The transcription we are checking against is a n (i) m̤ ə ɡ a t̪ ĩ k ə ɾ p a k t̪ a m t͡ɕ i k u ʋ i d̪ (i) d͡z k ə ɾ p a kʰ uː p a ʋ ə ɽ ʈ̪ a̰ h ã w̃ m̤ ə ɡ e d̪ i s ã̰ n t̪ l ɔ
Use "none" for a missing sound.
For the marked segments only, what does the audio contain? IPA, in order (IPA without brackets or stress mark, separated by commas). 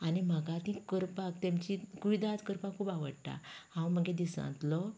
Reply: i, a